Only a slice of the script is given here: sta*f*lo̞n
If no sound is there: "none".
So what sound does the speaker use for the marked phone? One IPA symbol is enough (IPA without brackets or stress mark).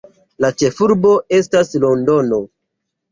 s